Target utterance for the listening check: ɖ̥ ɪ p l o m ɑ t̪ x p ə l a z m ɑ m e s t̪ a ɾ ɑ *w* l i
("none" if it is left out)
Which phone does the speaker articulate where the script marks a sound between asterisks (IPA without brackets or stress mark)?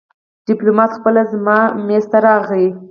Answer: ɣ